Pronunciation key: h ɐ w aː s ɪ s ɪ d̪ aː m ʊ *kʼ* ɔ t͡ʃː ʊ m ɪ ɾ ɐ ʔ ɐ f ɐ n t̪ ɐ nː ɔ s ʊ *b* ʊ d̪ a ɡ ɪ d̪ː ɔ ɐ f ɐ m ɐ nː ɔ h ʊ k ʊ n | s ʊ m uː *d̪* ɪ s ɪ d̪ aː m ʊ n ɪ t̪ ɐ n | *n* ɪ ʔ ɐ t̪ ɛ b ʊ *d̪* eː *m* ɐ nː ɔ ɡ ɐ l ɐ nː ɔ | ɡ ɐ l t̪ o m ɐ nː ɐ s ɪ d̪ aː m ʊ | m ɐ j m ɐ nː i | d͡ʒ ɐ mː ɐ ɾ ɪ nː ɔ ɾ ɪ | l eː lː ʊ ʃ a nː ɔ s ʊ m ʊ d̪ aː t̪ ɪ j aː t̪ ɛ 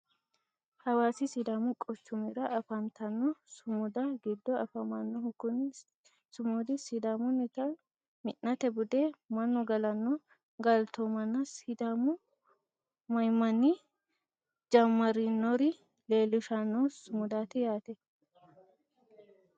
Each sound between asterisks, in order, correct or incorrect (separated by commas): correct, incorrect, correct, incorrect, correct, correct